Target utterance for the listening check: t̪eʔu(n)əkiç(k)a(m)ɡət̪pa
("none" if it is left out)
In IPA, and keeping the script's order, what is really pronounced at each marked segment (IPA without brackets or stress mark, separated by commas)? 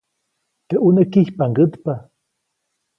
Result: n, p, ŋ